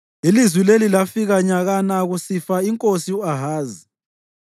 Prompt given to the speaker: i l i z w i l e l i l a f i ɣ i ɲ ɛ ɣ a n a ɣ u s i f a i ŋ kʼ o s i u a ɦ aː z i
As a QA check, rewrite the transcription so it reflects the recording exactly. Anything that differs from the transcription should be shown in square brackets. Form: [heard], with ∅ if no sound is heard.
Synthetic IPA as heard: i l i z w i l e l i l a f i ɣ [a] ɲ [a] ɣ a n a ɣ u s i f a i ŋ kʼ o s i u a ɦ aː z i